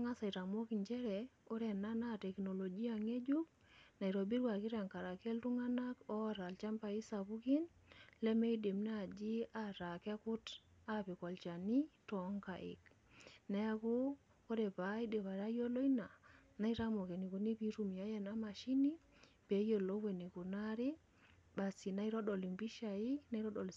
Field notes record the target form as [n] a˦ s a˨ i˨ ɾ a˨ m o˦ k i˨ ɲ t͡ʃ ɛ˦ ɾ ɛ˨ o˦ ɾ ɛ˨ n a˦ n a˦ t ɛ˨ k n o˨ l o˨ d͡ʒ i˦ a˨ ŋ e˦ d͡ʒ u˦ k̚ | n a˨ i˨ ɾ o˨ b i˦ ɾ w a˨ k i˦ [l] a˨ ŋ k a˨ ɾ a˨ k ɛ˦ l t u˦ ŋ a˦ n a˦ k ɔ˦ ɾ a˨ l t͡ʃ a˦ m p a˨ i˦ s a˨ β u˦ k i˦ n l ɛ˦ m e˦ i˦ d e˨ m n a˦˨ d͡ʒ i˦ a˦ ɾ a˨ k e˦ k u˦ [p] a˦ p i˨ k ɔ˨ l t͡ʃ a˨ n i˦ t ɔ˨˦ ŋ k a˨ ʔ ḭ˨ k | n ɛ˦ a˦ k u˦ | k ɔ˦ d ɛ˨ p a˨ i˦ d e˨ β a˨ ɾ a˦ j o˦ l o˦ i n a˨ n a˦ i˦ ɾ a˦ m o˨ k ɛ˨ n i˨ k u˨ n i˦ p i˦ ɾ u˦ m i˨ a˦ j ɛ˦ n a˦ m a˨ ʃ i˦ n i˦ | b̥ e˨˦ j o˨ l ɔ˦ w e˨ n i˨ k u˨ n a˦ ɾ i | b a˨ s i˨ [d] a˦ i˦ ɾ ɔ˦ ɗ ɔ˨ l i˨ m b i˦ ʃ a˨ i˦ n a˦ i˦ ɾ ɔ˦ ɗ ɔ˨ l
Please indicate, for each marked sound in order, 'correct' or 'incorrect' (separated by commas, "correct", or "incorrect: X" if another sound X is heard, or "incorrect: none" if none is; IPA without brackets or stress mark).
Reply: incorrect: ŋ, incorrect: ɾ, incorrect: t, incorrect: n